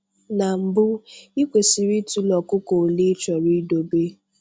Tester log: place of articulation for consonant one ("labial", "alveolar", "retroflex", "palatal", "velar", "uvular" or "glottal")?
alveolar